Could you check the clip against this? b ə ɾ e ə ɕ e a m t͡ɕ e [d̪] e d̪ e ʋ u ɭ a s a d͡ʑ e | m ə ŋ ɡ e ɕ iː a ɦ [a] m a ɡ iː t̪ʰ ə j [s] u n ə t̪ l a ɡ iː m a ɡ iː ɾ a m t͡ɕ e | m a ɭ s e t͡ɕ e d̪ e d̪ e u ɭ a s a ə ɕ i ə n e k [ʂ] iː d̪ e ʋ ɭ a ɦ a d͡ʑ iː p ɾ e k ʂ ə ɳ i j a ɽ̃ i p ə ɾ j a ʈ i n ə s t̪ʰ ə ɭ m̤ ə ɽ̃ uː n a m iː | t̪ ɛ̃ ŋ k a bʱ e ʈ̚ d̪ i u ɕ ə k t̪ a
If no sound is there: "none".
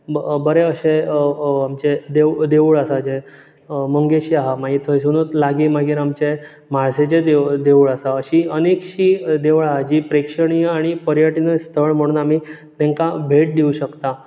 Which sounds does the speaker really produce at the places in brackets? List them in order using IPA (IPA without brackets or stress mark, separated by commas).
d̪, a, s, ɕ